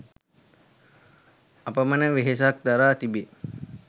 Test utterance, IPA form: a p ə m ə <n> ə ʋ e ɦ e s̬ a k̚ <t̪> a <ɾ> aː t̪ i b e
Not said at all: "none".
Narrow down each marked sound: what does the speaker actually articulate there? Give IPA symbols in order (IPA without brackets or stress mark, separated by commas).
n, d̪, ɾ